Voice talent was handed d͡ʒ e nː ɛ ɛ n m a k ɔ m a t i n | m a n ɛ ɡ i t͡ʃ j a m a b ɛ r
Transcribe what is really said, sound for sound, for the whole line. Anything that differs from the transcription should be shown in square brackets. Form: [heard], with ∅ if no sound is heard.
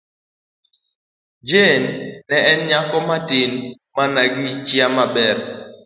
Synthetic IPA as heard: d͡ʒ e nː ɛ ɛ n [ɲ] a k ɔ m a t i n | m a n [a] ɡ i t͡ʃ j a m a b ɛ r